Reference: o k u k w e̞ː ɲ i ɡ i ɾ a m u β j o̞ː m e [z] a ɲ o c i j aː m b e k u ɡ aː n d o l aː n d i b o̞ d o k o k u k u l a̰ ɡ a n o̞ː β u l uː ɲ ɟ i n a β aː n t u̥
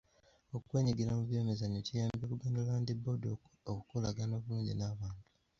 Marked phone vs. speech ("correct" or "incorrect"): correct